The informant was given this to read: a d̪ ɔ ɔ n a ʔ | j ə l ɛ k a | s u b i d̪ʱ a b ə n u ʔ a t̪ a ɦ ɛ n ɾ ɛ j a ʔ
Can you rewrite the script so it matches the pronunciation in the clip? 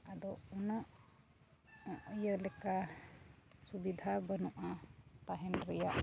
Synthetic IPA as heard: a d̪ ɔ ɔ n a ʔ | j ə l ɛ k a | s u b i d̪ʱ a b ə n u ʔ a t̪ a ɦ ɛ n ɾ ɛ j a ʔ